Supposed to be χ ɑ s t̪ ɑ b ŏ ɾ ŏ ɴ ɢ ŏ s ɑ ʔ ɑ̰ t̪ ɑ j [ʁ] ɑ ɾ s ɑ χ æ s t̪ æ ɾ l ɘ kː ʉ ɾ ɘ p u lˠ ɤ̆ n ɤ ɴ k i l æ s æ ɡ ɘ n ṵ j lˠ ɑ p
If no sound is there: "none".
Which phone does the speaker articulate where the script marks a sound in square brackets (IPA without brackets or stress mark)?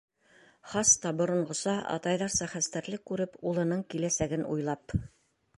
ð